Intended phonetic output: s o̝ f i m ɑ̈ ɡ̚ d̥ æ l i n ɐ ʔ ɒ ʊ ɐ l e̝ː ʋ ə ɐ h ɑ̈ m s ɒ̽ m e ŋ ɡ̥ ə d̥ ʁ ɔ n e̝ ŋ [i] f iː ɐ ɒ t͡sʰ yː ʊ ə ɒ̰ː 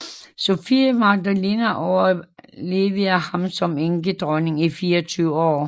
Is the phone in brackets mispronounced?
no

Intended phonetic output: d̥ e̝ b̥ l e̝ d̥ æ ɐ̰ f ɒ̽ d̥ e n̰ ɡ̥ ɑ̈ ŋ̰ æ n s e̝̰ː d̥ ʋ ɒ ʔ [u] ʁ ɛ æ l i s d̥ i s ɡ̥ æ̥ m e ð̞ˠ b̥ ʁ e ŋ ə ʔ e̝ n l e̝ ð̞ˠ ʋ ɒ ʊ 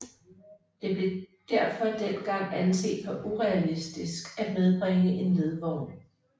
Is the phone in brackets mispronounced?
no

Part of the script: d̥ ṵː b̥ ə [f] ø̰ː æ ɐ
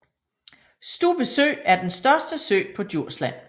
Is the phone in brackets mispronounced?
yes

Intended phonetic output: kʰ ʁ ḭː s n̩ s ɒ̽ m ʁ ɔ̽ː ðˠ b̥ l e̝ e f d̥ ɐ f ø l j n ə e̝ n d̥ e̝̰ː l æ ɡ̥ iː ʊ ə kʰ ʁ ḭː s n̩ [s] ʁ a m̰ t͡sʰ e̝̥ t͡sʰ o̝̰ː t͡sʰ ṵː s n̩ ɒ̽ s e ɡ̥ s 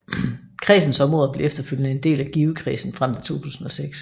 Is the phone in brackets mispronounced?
yes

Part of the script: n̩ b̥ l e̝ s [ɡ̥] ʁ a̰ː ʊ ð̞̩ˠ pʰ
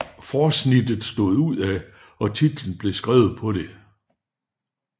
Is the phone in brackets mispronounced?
no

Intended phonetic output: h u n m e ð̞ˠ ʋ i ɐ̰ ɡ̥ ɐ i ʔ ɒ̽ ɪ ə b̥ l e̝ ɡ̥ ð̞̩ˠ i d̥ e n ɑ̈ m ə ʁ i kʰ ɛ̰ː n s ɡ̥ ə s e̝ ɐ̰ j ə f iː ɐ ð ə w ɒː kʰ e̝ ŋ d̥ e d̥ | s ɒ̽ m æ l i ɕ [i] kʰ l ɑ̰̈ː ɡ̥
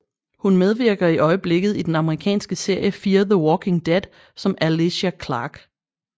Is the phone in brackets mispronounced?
yes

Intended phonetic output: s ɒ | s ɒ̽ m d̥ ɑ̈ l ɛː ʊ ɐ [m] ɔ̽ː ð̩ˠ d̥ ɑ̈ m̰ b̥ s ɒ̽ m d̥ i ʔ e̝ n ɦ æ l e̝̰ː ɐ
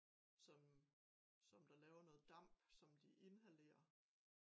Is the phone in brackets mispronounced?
yes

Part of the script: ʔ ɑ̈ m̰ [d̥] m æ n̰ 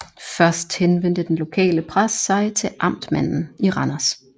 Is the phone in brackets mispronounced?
no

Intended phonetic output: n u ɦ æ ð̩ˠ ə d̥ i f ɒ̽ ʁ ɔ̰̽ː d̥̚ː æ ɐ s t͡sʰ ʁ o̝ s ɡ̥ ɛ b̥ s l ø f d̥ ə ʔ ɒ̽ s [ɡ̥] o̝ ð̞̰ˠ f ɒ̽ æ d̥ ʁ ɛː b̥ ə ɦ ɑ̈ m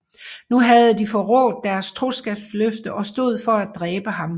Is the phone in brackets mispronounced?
yes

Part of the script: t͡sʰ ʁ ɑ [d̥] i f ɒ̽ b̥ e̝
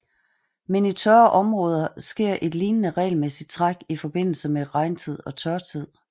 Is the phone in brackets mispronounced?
yes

